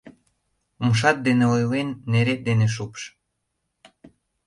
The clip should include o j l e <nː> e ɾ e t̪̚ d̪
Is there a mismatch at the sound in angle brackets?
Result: no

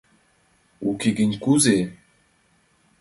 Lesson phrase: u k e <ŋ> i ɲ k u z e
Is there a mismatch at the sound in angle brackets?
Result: yes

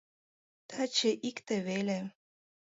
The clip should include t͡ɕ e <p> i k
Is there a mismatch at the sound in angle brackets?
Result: yes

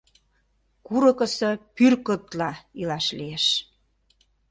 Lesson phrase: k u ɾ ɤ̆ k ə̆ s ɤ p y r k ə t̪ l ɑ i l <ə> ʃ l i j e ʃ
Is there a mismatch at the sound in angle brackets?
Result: yes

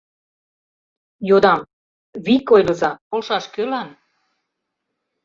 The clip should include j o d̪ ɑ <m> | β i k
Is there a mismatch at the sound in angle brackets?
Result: no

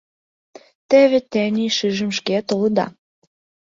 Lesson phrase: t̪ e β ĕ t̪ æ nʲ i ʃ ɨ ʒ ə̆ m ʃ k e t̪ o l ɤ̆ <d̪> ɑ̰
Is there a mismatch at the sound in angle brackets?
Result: no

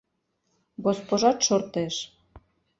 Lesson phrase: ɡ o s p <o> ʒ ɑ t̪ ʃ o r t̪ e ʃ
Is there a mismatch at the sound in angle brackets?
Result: no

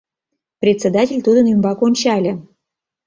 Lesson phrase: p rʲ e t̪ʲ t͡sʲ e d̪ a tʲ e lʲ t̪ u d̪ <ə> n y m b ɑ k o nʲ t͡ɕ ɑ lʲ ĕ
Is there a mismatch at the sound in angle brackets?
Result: no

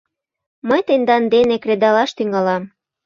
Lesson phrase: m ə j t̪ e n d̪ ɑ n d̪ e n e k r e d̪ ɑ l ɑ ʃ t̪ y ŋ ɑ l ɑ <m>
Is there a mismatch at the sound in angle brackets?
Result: no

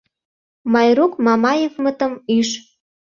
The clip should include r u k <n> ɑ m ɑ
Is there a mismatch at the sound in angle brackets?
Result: yes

